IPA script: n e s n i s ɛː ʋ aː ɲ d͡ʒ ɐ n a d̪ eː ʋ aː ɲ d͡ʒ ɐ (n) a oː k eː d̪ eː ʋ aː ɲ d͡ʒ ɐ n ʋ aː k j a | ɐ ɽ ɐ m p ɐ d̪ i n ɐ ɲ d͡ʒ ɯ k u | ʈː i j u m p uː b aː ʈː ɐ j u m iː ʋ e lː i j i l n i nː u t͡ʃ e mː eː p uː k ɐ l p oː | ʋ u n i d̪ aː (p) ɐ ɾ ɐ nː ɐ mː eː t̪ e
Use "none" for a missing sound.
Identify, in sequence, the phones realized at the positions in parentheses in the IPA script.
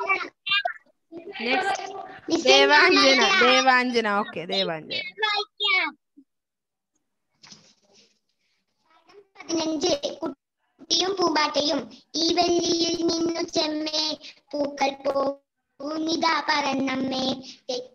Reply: n, p

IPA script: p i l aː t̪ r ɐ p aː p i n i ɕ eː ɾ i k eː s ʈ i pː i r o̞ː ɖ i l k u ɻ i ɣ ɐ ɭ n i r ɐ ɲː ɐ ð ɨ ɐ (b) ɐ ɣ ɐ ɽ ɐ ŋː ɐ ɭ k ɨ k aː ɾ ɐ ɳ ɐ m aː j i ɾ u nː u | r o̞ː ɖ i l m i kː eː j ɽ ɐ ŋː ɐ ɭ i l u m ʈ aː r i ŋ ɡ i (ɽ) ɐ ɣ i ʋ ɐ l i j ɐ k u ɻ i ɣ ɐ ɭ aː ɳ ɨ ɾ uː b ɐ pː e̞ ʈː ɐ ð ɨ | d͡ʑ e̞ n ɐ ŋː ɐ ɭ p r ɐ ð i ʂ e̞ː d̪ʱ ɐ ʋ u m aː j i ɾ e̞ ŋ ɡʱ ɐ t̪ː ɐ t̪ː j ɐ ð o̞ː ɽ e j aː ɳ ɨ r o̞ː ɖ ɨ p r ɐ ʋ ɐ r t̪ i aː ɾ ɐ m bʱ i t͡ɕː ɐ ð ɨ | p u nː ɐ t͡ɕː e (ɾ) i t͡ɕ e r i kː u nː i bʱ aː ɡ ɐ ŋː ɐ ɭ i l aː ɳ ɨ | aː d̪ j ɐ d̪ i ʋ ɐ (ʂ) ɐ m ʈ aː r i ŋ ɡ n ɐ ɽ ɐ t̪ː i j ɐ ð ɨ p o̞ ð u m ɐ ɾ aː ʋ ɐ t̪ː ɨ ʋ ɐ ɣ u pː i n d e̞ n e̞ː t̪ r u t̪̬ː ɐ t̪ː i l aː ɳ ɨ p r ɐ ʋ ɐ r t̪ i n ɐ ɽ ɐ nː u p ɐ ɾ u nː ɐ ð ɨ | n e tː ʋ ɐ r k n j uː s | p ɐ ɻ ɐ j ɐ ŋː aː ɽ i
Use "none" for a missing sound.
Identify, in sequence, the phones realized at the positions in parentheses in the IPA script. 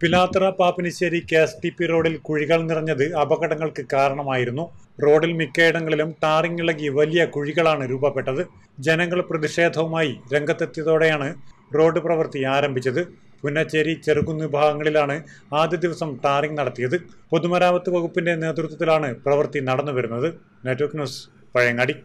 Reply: b, ɭ, ɾ, s

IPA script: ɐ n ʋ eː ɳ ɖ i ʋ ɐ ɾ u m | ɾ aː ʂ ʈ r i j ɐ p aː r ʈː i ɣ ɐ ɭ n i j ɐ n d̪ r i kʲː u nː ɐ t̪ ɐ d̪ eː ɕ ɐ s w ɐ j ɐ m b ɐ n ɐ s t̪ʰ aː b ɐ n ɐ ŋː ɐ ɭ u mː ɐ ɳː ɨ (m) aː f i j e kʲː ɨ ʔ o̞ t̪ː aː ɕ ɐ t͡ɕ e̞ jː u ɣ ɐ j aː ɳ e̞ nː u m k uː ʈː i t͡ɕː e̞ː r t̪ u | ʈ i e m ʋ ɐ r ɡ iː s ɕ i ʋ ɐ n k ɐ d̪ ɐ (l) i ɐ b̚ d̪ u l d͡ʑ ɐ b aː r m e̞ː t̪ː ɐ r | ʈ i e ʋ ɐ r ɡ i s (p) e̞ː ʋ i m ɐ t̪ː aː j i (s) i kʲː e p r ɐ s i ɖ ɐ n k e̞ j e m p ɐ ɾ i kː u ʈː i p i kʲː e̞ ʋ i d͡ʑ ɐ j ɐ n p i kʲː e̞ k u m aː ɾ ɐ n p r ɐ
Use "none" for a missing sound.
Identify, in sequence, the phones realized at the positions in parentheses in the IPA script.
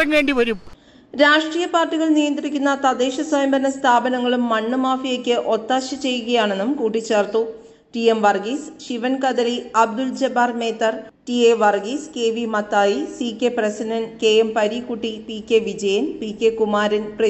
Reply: m, l, k, s

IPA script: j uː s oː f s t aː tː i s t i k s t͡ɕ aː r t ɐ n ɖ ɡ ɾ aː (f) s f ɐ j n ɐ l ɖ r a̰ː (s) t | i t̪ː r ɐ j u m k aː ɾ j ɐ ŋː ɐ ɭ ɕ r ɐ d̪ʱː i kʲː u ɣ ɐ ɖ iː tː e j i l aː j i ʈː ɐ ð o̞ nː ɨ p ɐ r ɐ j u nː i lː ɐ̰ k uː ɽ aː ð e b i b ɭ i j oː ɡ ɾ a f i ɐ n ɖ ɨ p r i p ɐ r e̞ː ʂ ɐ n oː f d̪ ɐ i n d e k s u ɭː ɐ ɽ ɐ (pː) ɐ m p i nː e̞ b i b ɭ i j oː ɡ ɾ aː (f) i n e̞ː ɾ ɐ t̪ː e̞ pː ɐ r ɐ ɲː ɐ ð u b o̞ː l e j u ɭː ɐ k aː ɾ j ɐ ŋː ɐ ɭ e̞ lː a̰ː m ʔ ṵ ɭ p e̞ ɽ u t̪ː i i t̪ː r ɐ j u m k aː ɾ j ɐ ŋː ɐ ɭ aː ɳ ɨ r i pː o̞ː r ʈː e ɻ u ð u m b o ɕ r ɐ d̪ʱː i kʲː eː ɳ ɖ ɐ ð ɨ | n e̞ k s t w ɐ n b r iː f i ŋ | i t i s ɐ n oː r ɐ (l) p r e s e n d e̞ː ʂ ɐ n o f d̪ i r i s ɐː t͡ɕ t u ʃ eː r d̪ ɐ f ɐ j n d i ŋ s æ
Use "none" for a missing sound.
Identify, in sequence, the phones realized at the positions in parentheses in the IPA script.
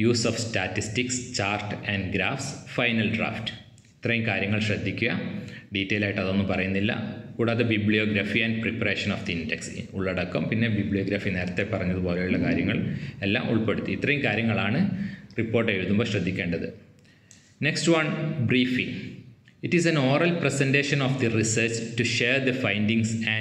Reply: f, f, kː, f, l

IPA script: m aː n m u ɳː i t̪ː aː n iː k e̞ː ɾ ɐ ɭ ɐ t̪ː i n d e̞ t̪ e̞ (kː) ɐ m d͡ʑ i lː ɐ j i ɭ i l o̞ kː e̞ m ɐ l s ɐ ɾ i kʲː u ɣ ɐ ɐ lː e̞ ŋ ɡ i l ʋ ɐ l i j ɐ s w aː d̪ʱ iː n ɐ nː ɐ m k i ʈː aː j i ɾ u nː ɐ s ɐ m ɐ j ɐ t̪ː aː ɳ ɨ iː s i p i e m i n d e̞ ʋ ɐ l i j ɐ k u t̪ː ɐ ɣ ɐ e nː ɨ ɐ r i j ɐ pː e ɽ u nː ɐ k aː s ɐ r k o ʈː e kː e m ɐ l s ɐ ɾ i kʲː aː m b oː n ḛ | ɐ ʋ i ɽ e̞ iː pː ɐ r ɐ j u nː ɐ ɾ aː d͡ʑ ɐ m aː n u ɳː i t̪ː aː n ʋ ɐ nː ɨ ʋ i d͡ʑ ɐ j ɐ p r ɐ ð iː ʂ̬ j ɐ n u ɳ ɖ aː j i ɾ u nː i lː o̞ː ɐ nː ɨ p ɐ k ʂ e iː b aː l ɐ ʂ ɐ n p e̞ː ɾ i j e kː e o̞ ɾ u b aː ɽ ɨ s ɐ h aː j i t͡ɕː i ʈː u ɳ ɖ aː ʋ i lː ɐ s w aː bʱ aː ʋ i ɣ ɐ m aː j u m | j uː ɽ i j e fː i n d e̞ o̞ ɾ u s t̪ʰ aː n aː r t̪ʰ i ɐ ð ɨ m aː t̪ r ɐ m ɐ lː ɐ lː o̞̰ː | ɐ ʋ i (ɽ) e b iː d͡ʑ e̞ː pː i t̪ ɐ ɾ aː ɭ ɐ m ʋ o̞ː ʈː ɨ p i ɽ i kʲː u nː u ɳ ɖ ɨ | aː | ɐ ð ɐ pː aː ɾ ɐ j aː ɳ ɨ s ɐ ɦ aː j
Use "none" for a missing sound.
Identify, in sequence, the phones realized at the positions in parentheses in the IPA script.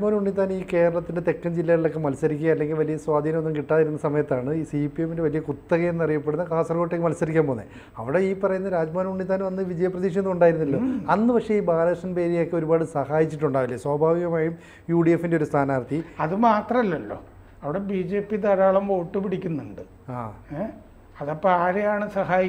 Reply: kː, ɽ

